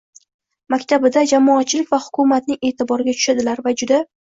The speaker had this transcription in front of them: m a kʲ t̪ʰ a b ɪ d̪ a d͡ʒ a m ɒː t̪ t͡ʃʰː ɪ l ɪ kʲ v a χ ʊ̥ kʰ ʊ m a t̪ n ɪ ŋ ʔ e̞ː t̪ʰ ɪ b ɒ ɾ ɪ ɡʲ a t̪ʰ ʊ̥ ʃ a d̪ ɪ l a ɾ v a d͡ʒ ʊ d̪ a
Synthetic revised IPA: m a kʲ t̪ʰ a b ɪ d̪ a d͡ʒ a m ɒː t̪ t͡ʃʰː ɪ l ɪ kʲ v a h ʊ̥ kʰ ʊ m a t̪ n ɪ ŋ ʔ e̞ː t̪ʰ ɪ b ɒ ɾ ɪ ɡʲ a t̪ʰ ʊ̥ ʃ a d̪ ɪ l a ɾ v a d͡ʒ ʊ d̪ a